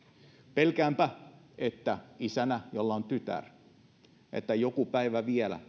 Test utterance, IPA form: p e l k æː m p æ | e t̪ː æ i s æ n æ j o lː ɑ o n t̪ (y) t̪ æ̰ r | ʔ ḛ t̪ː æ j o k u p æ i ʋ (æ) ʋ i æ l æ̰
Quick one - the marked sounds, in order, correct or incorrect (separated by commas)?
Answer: correct, correct